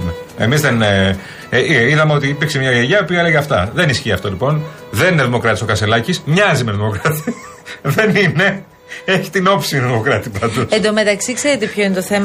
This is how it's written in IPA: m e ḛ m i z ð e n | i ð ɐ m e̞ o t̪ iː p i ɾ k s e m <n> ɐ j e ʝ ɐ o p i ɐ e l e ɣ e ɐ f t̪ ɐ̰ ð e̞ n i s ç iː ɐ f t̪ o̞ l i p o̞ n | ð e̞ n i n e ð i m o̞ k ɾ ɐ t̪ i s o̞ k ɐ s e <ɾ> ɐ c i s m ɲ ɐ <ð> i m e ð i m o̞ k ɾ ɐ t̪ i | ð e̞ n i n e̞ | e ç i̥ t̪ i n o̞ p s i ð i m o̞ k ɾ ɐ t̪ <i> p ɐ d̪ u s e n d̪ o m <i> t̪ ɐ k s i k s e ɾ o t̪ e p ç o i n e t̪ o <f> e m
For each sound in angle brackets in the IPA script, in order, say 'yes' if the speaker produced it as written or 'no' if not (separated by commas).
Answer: no, no, no, yes, no, no